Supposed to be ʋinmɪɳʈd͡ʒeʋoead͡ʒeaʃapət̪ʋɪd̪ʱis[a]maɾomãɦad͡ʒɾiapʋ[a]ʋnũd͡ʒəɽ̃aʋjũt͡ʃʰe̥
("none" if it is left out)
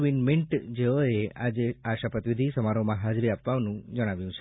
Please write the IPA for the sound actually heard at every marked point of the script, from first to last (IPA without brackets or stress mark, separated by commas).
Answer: ə, a